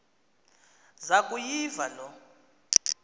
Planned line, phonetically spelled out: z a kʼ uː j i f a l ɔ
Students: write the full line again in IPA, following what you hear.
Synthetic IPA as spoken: z a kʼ u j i v a l ɔ

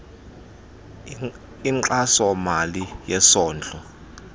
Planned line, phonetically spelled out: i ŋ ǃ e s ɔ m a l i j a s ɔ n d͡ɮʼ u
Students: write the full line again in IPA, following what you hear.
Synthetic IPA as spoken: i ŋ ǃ a s ɔ m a l i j ɛ s ɔː n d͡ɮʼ ɔ

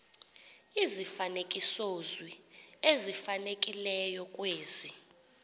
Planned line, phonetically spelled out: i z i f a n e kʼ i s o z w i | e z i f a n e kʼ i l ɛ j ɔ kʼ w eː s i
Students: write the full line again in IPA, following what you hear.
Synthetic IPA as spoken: i z i f a n e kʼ i s o z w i | e z i f a n e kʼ i l ɛ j ɔ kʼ w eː z i

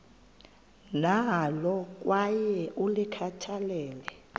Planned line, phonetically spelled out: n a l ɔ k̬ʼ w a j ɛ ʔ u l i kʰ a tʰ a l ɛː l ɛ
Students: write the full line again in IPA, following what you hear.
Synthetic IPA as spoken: n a l ɔ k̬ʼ w a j ɛ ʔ u l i kʰ a tʰ a l ɛː l ɛ

